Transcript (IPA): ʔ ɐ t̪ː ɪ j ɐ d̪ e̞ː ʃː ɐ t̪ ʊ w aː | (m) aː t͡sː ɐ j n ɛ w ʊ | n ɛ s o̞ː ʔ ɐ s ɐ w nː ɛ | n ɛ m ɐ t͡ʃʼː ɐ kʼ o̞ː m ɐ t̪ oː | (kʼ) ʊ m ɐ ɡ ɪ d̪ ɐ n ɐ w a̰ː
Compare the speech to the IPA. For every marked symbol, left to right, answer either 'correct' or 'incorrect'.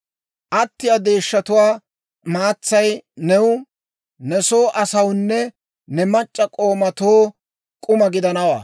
correct, correct

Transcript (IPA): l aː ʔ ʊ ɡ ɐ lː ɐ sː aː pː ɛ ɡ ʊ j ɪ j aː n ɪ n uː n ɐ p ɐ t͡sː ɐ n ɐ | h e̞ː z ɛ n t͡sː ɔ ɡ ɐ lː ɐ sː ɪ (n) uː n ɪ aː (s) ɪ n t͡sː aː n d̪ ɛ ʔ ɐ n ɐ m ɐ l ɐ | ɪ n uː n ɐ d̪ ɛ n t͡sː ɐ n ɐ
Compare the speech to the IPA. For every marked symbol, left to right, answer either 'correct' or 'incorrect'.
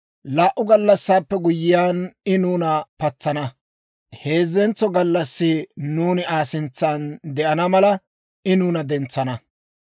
correct, correct

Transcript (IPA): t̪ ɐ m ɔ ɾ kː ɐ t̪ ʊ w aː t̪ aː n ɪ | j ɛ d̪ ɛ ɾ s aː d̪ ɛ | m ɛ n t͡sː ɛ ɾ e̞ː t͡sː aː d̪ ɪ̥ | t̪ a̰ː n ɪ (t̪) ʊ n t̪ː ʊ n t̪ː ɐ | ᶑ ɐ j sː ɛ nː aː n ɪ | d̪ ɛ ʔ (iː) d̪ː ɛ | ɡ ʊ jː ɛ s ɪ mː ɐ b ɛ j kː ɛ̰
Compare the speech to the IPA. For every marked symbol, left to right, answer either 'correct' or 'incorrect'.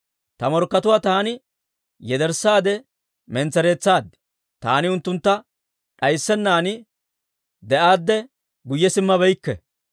incorrect, incorrect

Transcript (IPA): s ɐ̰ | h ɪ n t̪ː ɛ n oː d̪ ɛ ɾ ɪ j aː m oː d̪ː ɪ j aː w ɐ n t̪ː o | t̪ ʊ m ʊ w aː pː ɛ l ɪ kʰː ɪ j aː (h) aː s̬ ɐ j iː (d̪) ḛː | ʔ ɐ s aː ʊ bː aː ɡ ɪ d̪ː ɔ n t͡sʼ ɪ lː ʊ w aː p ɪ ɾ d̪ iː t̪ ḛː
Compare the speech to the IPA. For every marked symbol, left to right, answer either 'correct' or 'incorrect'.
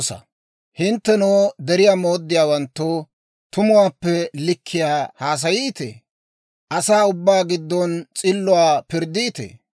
correct, incorrect

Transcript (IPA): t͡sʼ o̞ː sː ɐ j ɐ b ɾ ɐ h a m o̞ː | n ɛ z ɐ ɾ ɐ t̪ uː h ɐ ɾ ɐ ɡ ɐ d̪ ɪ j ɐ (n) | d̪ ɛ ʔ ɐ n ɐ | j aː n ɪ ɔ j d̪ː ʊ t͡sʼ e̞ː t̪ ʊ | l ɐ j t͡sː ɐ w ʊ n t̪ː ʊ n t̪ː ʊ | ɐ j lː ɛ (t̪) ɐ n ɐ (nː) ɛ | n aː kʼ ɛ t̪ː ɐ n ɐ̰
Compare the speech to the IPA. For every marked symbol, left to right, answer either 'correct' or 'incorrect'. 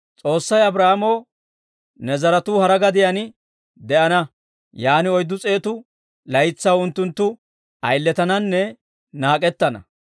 correct, correct, correct

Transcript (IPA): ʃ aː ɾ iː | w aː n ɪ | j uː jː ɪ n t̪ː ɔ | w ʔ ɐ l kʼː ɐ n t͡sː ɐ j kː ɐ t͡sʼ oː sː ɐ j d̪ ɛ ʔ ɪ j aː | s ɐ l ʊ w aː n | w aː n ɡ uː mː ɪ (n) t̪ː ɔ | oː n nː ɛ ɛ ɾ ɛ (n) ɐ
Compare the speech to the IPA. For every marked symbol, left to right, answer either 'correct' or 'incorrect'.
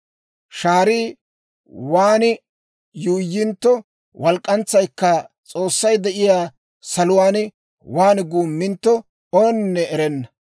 correct, incorrect

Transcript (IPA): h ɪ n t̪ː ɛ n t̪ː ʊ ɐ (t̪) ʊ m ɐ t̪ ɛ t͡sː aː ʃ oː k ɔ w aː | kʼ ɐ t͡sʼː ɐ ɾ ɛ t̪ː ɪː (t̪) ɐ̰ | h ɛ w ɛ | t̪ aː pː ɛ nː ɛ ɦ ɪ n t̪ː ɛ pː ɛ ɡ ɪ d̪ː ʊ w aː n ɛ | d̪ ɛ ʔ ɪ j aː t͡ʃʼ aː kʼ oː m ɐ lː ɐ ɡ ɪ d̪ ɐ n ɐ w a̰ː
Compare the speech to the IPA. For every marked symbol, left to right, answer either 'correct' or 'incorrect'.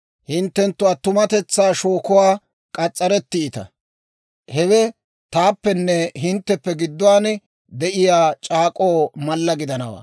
correct, correct

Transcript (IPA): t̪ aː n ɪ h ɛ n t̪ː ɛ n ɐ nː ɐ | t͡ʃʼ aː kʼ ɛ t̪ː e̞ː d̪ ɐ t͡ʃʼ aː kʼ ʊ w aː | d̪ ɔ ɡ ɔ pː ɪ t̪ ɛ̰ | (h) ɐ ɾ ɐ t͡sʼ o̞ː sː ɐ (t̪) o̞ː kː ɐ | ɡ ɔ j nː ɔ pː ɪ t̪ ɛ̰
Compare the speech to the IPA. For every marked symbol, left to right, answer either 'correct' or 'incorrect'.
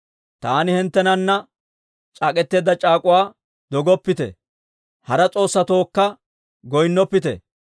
correct, correct

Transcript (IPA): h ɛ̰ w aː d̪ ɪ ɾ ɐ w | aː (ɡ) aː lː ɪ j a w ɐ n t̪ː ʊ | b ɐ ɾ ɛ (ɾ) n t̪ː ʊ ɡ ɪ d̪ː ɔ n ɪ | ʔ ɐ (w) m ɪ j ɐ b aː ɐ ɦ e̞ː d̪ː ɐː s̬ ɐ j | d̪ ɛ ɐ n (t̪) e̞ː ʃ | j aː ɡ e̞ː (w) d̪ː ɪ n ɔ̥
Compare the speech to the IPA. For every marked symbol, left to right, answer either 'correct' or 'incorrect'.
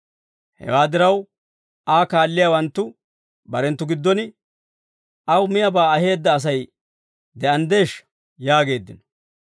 incorrect, incorrect, correct, incorrect, incorrect

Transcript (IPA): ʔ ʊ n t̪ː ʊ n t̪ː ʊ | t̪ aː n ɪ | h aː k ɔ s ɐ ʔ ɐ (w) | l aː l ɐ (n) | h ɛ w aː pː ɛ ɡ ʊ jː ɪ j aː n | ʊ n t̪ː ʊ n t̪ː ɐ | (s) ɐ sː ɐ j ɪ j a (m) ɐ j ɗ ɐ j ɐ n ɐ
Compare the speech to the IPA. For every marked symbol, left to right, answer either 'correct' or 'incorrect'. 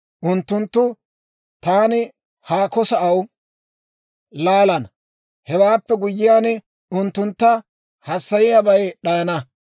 correct, correct, incorrect, incorrect

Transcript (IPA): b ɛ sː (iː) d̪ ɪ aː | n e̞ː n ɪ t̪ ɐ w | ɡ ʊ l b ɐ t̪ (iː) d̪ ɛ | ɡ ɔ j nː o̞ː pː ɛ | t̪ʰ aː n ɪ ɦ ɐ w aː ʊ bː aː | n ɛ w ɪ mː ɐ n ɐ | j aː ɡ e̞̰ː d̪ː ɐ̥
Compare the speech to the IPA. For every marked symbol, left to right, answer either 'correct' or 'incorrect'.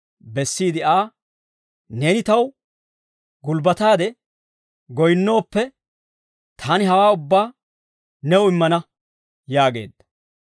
correct, incorrect

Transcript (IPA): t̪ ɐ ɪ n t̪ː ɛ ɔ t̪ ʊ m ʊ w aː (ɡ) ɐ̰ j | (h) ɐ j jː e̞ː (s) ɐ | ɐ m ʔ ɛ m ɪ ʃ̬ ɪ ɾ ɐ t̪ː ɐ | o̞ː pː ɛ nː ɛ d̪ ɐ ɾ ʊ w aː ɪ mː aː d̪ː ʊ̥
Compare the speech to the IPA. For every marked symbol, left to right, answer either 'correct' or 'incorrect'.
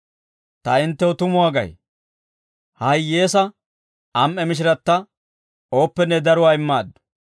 correct, correct, correct

